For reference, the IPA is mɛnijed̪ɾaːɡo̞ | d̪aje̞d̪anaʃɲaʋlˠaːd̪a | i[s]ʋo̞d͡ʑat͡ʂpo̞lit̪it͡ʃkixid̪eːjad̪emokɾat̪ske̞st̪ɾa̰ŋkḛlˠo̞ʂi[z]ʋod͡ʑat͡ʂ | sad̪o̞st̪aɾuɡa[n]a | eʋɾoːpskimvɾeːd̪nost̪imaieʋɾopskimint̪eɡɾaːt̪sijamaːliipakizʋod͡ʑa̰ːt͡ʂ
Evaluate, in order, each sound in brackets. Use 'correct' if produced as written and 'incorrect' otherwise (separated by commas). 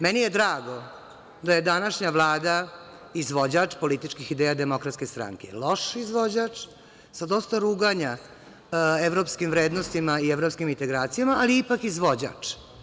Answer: incorrect, correct, incorrect